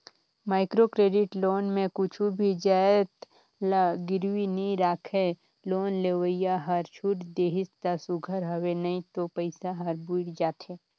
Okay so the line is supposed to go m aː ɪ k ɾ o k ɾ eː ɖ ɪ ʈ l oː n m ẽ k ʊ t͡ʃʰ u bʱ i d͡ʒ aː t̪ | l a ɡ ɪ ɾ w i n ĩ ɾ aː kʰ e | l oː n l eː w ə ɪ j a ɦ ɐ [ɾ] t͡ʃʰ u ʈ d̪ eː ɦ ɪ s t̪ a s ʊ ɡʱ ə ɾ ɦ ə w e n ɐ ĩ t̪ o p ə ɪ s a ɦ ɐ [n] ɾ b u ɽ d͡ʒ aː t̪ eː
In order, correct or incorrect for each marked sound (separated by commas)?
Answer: correct, incorrect